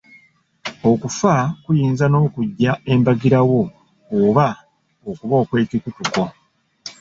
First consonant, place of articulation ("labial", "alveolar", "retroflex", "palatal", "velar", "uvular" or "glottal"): velar